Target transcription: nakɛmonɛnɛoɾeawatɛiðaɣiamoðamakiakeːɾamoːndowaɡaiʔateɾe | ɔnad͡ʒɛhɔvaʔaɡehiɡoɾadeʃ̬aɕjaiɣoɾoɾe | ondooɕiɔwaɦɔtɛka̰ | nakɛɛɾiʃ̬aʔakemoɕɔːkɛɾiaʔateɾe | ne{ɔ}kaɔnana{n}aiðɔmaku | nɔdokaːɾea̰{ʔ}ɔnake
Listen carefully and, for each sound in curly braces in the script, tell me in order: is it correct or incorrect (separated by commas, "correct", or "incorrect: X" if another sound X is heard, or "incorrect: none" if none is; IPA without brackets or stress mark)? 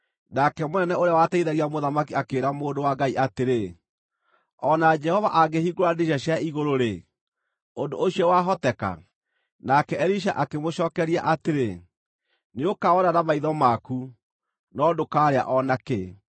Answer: incorrect: o, incorrect: m, correct